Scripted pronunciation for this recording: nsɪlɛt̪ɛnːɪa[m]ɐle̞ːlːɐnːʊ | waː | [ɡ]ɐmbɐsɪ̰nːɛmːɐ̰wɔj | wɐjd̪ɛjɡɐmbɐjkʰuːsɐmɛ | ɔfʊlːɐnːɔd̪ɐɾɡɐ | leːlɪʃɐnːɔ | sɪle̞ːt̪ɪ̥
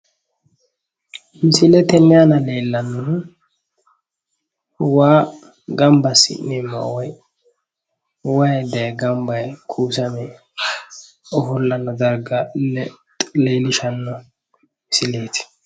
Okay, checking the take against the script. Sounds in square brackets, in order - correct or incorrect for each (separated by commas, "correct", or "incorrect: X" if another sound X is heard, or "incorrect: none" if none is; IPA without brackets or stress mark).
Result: incorrect: n, correct